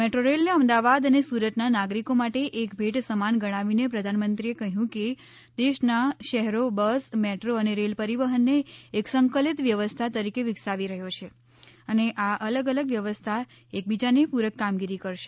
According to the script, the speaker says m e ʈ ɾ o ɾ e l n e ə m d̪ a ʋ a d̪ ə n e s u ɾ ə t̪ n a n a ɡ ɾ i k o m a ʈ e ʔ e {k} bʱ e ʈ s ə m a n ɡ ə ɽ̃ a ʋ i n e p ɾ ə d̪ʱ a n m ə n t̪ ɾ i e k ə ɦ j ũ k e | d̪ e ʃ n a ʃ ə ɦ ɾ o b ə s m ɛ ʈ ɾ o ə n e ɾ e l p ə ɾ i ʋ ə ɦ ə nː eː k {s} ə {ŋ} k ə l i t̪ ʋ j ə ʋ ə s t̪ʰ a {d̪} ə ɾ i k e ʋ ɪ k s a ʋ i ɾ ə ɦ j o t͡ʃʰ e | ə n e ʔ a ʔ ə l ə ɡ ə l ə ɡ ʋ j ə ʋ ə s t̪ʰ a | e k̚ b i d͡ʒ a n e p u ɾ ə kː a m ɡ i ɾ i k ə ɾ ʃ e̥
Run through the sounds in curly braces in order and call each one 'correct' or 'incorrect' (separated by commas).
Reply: correct, correct, correct, incorrect